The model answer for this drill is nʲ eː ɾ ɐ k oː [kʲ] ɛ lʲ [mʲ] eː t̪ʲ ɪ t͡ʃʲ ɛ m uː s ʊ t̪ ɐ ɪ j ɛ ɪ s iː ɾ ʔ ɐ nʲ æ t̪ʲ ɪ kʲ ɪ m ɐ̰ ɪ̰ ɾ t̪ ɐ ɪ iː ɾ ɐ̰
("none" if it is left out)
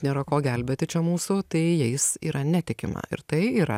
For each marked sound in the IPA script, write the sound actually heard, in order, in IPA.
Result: ɡʲ, bʲ

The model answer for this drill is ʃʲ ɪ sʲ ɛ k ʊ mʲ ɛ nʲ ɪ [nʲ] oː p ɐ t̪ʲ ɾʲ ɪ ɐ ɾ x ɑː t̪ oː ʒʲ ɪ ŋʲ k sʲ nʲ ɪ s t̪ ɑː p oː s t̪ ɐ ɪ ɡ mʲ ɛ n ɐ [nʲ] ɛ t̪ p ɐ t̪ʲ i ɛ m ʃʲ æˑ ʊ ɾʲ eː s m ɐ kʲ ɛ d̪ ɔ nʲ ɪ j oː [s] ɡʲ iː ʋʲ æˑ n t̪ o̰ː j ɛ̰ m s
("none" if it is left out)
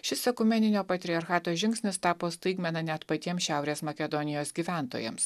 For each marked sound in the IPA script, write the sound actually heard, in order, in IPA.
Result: nʲ, nʲ, s

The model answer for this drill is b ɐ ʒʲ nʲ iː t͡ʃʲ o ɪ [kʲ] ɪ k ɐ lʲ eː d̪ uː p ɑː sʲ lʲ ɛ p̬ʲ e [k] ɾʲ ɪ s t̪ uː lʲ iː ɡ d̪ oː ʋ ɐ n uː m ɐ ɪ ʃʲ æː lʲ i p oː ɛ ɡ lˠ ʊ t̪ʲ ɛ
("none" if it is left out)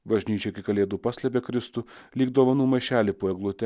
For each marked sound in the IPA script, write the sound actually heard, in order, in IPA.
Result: kʲ, k

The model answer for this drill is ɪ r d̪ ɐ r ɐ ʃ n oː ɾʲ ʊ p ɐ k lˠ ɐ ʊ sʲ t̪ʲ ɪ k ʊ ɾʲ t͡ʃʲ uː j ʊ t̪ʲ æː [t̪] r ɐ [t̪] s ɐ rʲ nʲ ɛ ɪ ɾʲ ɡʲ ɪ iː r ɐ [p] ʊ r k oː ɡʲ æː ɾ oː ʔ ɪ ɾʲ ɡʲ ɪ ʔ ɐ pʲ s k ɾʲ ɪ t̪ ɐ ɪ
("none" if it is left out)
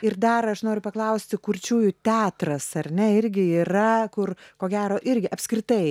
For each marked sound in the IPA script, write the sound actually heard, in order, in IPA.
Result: t̪, none, k

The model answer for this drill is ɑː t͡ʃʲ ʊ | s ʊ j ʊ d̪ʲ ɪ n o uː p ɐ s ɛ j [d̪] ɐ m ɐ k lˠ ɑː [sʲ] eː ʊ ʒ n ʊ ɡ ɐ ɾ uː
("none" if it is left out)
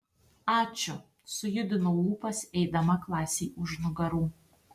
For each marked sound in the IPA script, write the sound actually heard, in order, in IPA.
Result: d̪, sʲ

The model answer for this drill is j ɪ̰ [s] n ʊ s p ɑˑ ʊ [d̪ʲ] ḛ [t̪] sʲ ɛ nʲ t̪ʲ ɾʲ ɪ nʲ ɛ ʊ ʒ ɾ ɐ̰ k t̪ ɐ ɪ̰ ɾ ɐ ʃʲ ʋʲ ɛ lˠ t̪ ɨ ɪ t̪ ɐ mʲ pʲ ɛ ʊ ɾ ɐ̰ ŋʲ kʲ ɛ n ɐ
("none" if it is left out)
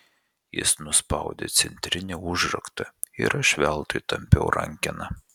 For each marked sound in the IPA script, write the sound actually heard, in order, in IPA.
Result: s, d̪ʲ, t̪

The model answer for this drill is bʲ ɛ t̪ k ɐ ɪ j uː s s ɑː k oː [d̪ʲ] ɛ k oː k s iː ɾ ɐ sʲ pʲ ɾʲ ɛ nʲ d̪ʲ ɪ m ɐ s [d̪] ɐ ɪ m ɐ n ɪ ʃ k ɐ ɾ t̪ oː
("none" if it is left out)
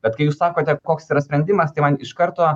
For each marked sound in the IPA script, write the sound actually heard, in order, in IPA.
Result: t̪ʲ, t̪

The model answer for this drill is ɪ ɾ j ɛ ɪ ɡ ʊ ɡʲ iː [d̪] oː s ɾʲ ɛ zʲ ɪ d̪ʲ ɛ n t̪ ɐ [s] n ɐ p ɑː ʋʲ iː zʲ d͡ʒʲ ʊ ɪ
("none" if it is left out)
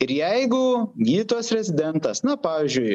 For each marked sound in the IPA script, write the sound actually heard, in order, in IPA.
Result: t̪, s

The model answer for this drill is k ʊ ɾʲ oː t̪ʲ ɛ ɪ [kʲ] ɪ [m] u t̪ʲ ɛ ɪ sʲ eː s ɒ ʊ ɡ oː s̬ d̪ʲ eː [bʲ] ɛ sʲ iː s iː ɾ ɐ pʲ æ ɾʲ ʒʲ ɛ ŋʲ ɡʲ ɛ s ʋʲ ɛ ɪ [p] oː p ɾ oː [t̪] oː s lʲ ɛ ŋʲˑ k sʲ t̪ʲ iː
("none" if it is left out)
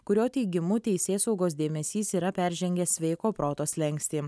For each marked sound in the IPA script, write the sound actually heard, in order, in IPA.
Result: ɡʲ, m, mʲ, k, t̪

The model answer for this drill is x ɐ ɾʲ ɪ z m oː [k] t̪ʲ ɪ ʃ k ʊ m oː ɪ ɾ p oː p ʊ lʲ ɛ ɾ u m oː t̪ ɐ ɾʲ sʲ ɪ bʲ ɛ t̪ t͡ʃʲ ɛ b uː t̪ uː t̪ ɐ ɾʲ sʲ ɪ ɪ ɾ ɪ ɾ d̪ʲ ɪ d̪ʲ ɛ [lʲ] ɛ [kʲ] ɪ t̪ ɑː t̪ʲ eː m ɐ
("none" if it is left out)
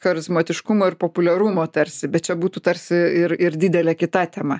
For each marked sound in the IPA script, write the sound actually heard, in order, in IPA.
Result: none, lʲ, kʲ

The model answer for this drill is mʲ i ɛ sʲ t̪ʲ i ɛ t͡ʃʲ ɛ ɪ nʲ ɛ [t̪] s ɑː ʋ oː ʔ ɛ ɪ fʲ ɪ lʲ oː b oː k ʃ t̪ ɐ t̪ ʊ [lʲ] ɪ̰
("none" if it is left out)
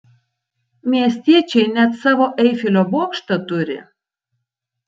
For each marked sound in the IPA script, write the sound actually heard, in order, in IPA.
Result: t̪, ɾʲ

